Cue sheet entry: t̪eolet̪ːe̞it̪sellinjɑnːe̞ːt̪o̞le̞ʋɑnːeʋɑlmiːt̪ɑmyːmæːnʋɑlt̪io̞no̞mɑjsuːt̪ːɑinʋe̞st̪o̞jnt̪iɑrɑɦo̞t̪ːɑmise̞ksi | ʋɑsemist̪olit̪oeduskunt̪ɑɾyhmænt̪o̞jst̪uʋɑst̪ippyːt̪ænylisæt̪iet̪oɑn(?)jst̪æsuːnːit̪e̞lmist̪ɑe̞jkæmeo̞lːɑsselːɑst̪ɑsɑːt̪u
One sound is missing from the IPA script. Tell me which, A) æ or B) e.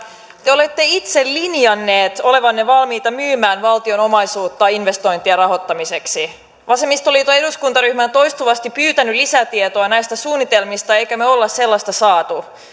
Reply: A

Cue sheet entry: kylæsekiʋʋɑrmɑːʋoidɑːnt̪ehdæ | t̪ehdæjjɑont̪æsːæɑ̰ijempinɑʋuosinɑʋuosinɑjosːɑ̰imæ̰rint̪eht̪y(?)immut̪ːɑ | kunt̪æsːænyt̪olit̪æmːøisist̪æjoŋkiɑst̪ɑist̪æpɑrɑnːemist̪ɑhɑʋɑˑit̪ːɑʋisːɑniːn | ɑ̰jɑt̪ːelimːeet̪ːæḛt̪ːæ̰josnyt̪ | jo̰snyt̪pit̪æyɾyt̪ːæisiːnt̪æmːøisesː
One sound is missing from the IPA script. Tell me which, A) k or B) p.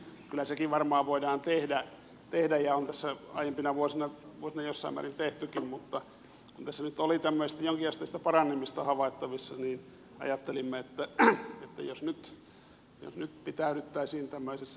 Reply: A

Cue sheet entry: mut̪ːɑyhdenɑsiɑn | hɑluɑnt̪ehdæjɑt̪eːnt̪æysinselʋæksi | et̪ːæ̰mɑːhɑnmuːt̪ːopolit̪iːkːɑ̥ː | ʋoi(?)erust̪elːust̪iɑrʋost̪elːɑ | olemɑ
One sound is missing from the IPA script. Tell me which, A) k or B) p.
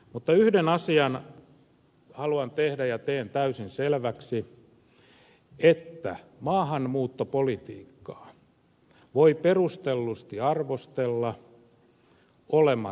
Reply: B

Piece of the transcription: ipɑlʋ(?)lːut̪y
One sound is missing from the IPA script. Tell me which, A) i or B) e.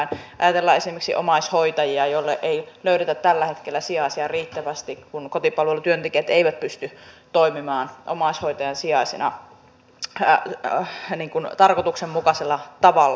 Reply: B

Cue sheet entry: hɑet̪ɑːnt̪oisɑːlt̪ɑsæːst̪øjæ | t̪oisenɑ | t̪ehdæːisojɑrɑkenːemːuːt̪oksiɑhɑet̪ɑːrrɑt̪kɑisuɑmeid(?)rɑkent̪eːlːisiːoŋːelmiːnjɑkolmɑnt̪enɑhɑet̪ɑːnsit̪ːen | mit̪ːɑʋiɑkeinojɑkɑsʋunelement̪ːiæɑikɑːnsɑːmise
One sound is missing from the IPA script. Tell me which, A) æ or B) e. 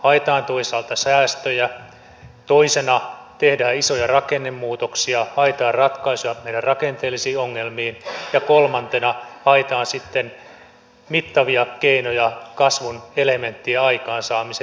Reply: A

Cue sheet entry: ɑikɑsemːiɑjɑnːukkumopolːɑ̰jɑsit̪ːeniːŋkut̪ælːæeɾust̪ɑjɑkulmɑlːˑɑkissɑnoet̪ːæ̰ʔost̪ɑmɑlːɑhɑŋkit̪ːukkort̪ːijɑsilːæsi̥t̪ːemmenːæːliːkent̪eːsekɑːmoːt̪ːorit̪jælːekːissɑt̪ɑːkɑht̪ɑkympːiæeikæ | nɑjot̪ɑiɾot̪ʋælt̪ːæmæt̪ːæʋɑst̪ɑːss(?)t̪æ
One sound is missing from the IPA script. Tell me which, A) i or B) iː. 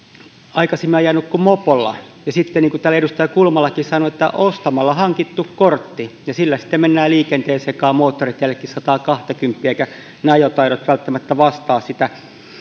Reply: A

